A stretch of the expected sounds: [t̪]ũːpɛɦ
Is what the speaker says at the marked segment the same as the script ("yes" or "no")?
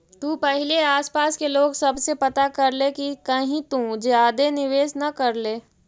yes